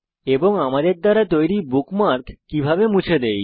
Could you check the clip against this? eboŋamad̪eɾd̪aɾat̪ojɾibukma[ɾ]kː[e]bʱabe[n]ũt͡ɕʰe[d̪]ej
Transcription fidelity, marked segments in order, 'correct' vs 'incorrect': correct, incorrect: i, incorrect: m, correct

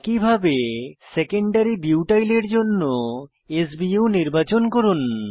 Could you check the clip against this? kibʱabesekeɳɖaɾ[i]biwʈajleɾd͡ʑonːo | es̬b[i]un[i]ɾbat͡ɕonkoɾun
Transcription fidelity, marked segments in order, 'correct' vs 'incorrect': correct, correct, correct

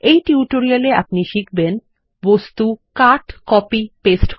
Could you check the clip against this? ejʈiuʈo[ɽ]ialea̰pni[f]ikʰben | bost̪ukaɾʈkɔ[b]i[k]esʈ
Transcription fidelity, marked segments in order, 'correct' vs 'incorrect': incorrect: ɾ, incorrect: ʃ, incorrect: p, incorrect: p

